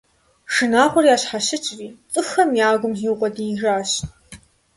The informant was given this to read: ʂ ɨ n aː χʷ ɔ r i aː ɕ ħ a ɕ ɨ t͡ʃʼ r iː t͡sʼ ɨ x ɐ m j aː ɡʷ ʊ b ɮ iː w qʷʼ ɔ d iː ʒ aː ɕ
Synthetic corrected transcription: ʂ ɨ n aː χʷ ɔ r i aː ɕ ħ a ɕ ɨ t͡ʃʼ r iː t͡sʼ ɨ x ɐ m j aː ɡʷ ʊ m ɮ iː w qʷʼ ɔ d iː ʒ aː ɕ